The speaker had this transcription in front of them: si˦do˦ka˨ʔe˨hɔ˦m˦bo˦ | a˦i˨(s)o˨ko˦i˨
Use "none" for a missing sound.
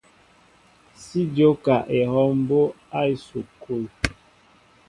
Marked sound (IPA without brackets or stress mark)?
s